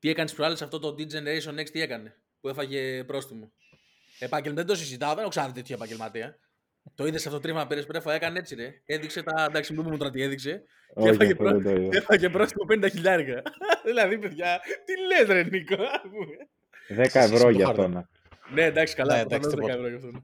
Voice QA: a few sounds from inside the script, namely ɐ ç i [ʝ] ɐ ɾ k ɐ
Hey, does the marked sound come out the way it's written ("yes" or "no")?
no